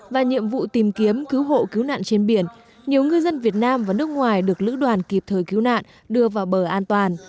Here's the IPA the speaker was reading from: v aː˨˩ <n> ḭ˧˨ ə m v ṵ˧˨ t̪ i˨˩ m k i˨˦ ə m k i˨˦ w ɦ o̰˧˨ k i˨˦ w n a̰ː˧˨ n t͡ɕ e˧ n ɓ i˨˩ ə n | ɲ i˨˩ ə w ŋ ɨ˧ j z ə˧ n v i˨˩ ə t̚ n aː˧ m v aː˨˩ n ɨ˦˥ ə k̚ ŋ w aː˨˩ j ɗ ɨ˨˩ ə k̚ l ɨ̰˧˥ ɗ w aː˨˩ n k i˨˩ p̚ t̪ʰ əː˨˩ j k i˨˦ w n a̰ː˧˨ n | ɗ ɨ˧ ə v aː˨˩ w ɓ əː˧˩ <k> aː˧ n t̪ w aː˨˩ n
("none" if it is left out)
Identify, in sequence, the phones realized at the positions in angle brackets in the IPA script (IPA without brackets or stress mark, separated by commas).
ɲ, ʔ